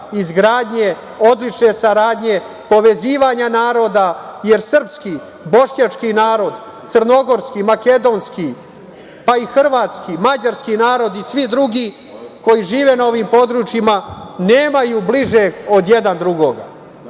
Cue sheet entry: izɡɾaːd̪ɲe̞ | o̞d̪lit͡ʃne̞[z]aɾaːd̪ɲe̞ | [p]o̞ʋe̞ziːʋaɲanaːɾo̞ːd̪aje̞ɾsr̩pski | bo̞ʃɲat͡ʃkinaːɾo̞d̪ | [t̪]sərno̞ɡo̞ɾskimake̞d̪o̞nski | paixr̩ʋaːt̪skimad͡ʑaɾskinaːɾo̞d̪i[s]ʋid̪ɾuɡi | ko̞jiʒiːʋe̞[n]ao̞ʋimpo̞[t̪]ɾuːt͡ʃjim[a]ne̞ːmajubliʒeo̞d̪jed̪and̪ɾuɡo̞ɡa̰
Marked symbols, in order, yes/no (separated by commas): no, yes, yes, yes, yes, no, yes